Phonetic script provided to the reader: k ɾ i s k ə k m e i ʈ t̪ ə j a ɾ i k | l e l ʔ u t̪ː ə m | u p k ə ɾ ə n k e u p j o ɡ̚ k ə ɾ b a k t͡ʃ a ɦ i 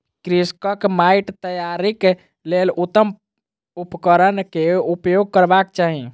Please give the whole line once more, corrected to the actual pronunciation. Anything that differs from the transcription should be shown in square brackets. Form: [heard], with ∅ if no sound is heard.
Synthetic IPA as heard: k ɾ i s k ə k m [a] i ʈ t̪ ə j a ɾ i k | l e l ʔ u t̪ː ə m | u p k ə ɾ ə n k e u p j o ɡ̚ k ə ɾ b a k t͡ʃ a ɦ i